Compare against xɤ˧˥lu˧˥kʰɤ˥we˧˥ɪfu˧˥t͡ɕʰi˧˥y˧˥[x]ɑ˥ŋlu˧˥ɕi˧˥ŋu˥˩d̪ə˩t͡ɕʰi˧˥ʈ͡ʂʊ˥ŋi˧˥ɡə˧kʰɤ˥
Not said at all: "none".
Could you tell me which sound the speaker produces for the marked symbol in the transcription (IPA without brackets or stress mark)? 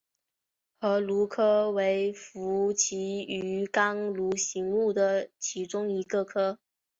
k